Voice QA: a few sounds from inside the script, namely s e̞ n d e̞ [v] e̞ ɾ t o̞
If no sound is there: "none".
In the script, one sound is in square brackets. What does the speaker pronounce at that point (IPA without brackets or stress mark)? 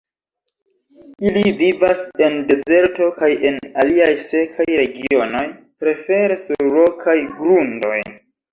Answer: z